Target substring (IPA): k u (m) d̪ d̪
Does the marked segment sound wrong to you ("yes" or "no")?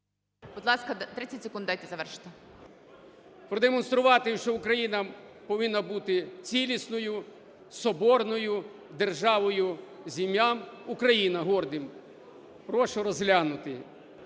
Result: yes